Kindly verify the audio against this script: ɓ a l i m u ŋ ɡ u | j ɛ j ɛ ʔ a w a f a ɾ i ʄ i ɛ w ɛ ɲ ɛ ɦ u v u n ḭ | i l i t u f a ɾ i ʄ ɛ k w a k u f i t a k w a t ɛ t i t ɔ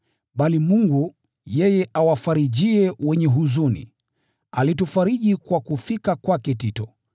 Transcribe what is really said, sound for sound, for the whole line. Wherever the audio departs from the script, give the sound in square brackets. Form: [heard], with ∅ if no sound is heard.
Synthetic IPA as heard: ɓ a l i m u ŋ ɡ u | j ɛ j ɛ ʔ a w a f a ɾ i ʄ i ɛ w ɛ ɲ ɛ ɦ u [z] u n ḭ | [a] l i t u f a ɾ i ʄ [i] k w a k u f i [k] a k w a [k] ɛ t i t ɔ